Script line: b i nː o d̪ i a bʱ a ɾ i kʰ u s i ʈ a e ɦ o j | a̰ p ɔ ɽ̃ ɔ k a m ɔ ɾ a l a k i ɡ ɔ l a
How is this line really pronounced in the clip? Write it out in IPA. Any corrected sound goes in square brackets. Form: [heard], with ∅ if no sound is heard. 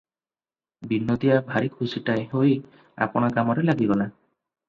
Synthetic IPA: b i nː o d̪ i a bʱ a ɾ i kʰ u s i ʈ a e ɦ o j | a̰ p ɔ ɽ̃ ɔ k a m ɔ ɾ [e] l a [ɡ] i ɡ ɔ l a